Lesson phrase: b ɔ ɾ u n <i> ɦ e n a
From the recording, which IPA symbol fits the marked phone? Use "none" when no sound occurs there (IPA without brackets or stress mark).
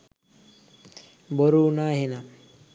a